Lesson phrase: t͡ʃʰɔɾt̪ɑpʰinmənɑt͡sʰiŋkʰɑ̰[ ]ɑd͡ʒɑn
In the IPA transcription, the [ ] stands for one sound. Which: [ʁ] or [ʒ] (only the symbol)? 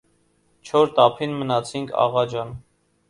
ʁ